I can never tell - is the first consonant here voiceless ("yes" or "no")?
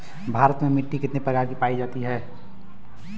no